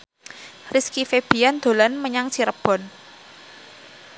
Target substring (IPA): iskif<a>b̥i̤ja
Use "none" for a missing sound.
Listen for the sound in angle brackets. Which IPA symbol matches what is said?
e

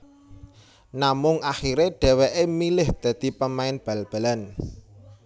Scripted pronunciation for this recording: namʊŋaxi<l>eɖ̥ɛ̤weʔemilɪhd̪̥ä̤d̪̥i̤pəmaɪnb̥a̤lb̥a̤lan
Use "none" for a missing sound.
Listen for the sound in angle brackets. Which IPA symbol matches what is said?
ɾ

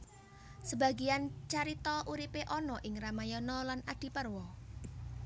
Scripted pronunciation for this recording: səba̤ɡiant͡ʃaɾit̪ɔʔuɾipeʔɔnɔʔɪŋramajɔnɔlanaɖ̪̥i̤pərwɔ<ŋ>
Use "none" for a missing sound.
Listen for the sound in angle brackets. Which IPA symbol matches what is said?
none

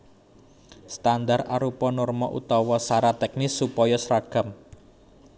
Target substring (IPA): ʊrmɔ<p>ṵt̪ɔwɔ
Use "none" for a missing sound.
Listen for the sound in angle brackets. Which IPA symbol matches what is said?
ʔ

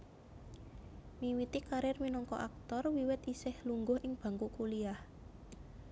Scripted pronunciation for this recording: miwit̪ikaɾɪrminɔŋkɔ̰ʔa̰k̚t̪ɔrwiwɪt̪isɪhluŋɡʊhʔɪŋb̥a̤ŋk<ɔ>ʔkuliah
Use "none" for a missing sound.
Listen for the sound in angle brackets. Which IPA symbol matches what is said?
u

